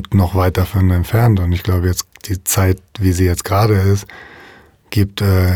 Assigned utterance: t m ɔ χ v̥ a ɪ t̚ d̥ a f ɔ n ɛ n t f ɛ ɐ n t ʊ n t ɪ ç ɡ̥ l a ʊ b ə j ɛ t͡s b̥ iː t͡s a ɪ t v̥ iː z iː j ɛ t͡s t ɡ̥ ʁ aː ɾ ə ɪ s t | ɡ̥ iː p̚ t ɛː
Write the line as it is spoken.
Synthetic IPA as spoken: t n ɔ χ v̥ a ɪ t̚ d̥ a f ɔ n ɛ n t f ɛ ɐ n t ʊ n t ɪ ç ɡ̥ l a ʊ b ə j ɛ t͡s d̥ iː t͡s a ɪ t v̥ iː z iː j ɛ t͡s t ɡ̥ ʁ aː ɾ ə ɪ s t | ɡ̥ iː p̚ t ɛː